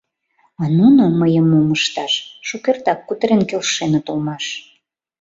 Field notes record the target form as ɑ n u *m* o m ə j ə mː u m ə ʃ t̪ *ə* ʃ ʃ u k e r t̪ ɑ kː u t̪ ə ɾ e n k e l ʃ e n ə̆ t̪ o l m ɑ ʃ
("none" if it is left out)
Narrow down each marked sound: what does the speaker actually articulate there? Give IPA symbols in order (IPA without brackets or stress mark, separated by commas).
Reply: n, ɑ